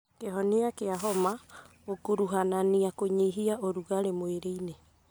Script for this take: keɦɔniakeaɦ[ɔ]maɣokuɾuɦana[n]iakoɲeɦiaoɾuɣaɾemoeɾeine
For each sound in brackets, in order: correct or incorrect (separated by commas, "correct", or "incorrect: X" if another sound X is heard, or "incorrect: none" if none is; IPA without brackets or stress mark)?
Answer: correct, correct